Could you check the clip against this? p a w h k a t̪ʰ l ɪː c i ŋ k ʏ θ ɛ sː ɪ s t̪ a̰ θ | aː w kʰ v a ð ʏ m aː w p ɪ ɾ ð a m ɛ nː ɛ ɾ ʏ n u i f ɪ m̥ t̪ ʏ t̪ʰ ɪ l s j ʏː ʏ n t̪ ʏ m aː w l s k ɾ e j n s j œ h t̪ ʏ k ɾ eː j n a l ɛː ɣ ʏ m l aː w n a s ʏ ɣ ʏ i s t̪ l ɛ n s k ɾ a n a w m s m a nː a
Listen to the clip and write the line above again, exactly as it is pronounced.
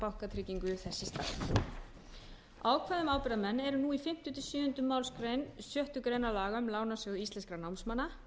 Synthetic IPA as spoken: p a w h k a t̪ʰ ɾ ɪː c i ŋ k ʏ θ ɛ sː ɪ s t̪ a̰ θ | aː w kʰ v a ð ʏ m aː w p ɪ ɾ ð a m ɛ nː ɛ ɾ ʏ n u i f ɪ m̥ t̪ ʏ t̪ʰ ɪ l s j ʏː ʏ n t̪ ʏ m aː w l s k ɾ e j n s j œ h t̪ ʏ k ɾ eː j n a l aː ɣ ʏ m l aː w n a s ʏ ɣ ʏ i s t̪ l ɛ n s k ɾ a n a w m s m a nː a